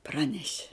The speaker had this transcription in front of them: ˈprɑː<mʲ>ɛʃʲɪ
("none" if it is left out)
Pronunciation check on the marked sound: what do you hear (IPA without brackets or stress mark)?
nʲ